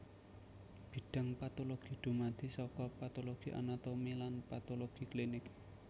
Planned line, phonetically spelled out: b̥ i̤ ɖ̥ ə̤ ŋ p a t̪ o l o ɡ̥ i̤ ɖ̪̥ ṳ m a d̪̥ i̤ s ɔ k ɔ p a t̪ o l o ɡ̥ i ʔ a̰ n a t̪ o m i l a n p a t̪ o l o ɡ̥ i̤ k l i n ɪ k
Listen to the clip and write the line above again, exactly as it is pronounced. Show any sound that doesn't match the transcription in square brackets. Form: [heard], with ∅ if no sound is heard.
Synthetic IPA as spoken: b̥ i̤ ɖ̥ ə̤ ŋ p a t̪ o l o ɡ̥ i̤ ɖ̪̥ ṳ m a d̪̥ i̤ s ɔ k ɔ p a t̪ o l o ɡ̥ i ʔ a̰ n a t̪ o m i l a n p a t̪ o l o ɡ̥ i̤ k l i n ɪ k